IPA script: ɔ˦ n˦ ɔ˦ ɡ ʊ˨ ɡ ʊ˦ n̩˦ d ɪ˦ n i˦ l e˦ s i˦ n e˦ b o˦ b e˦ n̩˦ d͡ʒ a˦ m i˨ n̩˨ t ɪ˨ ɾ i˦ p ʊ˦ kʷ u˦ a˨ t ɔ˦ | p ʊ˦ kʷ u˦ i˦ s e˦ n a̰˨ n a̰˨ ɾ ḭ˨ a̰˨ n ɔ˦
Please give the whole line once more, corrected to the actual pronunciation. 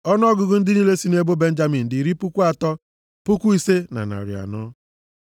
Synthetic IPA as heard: ɔ˦ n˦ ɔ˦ ɡ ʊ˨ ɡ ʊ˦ n̩˦ d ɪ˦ n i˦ l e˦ s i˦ n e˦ b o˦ b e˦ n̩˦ d͡ʒ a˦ m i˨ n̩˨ d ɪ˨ ɾ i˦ p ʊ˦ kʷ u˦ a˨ t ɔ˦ | p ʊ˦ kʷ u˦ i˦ s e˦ n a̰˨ n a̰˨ ɾ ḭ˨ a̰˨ n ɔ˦